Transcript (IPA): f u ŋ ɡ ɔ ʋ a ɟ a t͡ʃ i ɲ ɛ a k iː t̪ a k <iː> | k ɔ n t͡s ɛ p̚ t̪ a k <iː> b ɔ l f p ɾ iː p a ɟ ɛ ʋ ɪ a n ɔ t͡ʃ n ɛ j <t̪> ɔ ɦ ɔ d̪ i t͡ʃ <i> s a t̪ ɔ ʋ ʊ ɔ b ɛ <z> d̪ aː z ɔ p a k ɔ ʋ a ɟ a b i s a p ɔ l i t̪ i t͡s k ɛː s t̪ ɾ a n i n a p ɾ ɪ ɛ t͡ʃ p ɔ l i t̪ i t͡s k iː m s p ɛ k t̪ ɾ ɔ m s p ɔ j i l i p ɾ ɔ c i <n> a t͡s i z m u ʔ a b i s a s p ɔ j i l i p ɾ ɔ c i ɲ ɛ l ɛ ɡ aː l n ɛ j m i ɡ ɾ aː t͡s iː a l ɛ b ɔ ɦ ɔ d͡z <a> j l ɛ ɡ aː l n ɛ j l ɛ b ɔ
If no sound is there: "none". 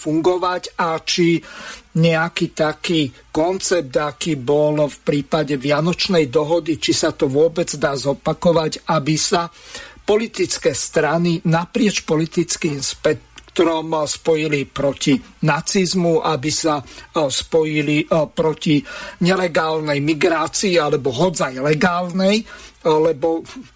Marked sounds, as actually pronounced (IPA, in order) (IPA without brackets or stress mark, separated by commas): iː, iː, d̪, i, d͡z, n, a